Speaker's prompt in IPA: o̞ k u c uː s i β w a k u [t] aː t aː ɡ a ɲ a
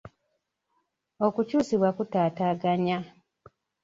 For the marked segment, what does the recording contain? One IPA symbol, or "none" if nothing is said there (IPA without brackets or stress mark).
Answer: t